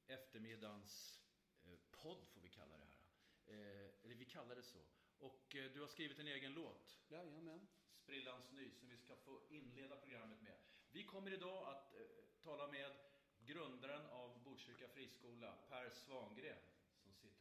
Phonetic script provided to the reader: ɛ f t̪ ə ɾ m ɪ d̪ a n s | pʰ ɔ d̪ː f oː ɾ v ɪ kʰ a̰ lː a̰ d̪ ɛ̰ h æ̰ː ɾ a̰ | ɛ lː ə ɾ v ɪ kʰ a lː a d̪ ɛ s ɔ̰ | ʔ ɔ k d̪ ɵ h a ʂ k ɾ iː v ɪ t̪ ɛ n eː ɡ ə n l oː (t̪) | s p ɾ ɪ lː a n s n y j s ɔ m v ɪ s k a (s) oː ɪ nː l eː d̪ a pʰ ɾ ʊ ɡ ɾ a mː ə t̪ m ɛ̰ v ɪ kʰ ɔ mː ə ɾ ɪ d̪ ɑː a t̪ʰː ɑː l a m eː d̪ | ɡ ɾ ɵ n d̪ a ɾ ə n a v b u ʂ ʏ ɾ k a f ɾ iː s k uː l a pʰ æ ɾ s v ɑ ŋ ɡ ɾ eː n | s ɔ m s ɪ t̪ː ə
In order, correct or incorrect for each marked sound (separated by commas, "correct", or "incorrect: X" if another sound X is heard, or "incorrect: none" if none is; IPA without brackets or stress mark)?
correct, incorrect: f